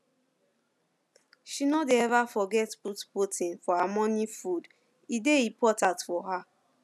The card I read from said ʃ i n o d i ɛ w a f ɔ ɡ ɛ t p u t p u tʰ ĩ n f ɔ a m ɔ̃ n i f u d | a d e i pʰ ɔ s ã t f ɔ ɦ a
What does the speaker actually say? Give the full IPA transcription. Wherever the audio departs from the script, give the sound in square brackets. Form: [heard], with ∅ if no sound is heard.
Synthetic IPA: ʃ i n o d [e] ɛ [v] a f ɔ ɡ ɛ t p u t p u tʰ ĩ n f ɔ a m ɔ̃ n i f u d | [i] d e i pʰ ɔ [t] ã t f ɔ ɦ a